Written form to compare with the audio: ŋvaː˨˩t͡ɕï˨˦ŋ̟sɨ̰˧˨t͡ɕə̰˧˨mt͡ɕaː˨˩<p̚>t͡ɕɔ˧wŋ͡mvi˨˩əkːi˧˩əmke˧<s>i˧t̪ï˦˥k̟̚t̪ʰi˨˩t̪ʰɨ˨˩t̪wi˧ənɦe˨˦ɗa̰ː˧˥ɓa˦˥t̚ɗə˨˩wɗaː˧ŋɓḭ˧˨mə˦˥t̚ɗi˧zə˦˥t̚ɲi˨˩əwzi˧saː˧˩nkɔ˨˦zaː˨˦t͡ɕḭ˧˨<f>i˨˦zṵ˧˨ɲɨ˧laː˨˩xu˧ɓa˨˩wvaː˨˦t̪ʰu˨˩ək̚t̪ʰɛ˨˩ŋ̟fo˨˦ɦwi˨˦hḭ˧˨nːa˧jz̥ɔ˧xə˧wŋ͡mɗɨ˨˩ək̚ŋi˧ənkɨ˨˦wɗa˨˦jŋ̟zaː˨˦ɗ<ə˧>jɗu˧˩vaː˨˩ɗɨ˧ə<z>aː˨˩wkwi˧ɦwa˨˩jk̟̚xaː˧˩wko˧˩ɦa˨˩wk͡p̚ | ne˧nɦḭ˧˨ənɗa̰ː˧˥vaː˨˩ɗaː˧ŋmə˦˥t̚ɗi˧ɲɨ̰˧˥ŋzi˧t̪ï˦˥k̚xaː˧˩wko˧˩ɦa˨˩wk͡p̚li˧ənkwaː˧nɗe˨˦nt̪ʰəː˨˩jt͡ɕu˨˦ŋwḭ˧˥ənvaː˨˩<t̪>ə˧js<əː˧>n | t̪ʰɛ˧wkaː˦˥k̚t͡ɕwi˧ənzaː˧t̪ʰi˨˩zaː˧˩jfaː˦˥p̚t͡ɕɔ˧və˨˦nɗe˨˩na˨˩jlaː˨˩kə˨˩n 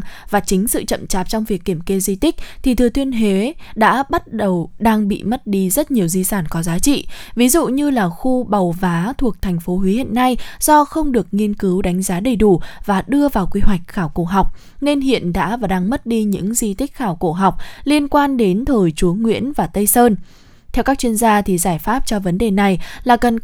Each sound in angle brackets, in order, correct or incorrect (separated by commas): correct, incorrect, incorrect, incorrect, incorrect, correct, correct